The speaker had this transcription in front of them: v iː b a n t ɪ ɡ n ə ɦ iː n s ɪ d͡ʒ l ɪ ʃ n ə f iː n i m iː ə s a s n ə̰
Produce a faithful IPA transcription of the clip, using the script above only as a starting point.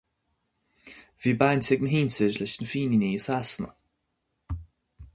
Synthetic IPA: v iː b a n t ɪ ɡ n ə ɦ iː n s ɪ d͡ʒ l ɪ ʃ n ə f iː n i n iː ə s a s n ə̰